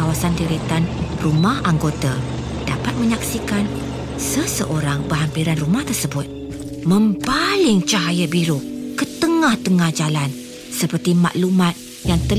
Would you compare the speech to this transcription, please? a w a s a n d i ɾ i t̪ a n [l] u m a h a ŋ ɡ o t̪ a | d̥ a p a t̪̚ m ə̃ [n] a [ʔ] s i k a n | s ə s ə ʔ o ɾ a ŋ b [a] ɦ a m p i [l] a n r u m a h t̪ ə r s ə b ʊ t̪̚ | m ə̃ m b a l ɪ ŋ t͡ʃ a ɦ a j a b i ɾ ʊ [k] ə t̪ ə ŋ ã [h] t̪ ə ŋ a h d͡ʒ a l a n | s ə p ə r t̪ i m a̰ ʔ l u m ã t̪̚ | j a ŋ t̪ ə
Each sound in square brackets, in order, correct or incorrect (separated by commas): incorrect, incorrect, incorrect, incorrect, incorrect, correct, correct